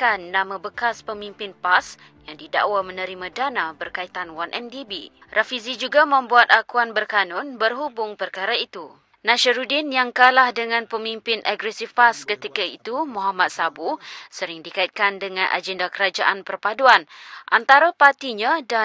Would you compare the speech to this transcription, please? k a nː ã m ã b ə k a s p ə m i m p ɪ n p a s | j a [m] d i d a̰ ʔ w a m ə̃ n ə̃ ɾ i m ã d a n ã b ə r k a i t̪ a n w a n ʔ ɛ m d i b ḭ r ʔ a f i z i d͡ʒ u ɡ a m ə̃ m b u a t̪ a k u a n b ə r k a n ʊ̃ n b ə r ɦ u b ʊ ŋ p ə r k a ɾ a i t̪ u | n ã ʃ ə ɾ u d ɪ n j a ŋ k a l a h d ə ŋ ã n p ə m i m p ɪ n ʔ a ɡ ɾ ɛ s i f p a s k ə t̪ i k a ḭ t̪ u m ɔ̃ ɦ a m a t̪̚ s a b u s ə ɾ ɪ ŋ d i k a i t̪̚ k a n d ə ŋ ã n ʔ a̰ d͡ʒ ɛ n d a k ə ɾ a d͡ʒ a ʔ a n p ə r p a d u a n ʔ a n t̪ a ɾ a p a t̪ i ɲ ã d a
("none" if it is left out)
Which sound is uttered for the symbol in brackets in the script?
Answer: ŋ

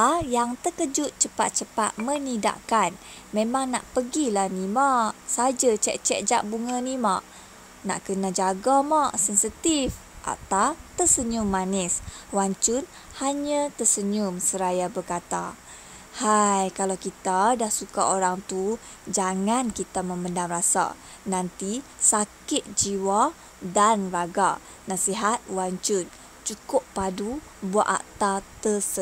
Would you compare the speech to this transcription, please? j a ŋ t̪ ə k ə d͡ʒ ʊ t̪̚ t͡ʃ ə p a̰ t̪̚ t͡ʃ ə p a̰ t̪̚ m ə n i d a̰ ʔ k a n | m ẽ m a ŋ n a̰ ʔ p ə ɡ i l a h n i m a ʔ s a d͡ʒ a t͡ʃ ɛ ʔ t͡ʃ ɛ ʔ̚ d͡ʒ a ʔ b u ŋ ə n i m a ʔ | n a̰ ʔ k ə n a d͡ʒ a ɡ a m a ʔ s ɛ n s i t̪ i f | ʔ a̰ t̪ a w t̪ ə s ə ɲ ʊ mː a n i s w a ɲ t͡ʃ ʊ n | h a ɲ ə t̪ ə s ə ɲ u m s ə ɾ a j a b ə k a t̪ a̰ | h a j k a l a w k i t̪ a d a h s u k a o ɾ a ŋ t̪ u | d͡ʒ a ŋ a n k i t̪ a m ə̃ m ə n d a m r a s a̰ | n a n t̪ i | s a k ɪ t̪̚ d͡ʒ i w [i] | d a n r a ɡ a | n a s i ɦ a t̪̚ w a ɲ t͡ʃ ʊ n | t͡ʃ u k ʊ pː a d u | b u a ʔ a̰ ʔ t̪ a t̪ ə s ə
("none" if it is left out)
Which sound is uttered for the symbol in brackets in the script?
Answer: a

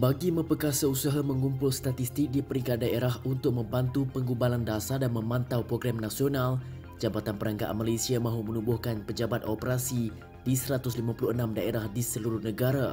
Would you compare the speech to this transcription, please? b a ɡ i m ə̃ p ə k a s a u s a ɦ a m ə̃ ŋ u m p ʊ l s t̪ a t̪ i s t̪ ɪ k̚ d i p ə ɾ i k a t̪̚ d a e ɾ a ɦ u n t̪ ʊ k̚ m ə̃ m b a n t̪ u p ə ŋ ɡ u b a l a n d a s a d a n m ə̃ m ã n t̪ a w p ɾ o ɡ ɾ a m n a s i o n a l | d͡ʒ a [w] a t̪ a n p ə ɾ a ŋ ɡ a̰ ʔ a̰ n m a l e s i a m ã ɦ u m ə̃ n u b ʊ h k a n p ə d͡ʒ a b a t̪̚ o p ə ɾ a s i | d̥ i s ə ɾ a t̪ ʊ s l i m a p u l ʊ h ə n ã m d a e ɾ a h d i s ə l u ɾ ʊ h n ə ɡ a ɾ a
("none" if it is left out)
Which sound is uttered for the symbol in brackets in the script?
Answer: b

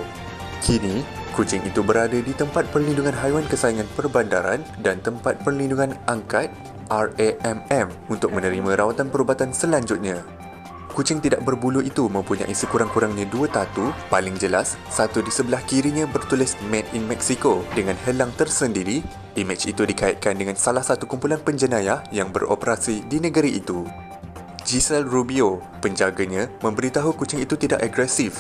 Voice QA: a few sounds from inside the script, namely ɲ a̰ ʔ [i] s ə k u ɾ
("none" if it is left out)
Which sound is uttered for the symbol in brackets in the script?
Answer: i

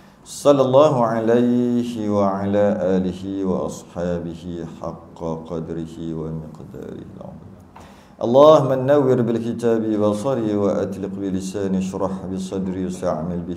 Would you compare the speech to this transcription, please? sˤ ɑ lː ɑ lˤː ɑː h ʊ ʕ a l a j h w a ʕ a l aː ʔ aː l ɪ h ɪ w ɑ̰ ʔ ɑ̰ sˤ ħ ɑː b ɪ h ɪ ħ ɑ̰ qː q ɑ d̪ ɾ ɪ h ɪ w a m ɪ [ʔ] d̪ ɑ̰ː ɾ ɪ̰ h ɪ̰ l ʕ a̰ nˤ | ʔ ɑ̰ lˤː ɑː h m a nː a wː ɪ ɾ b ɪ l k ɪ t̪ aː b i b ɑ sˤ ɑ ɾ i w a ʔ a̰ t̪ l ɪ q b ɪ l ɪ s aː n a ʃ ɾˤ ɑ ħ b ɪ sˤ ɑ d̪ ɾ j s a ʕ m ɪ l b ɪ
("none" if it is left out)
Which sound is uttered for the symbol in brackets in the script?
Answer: q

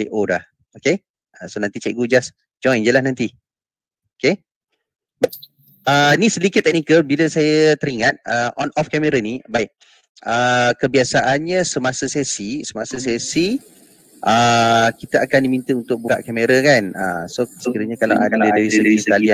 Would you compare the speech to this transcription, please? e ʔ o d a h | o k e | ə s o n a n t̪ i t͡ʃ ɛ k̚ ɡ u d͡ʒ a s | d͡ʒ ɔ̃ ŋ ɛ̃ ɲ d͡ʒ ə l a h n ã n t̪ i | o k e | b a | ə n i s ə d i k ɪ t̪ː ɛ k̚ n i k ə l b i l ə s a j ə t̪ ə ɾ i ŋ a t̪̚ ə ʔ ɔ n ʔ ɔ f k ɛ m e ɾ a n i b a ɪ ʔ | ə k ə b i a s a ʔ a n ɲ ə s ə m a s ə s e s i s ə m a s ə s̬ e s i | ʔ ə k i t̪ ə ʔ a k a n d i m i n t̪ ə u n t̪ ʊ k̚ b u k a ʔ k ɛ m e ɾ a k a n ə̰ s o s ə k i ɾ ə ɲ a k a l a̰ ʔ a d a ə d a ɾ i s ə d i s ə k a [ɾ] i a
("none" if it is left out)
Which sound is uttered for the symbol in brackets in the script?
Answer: l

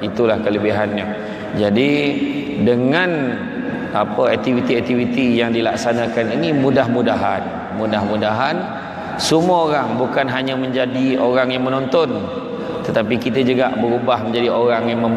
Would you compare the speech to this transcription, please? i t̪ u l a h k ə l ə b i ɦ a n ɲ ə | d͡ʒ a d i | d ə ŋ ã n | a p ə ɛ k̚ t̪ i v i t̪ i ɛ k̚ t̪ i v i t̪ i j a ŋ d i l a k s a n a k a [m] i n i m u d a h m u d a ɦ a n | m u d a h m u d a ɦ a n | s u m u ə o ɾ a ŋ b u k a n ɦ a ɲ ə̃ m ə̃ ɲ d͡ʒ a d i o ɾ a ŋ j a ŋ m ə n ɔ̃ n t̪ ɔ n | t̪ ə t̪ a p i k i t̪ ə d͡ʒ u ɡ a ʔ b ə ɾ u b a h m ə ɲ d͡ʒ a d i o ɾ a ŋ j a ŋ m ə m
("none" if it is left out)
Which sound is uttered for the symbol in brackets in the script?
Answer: n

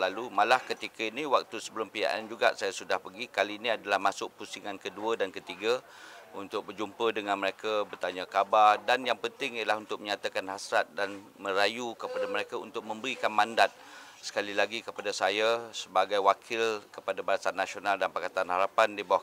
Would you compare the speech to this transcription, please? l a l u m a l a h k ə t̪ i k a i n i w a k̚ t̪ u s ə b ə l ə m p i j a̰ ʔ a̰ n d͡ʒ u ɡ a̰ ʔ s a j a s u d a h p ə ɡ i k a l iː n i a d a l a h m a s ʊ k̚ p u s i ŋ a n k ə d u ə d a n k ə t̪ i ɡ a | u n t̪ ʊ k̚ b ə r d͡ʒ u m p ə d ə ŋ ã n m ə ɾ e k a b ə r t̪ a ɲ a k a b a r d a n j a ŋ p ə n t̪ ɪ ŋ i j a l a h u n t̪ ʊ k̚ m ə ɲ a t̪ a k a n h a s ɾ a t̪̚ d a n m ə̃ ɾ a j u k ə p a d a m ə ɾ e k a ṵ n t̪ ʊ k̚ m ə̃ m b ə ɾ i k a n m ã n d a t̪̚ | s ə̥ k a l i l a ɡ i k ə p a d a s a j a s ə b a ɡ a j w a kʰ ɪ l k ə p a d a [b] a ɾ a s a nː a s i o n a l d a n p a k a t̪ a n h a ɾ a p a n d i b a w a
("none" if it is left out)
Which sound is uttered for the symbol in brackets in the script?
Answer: b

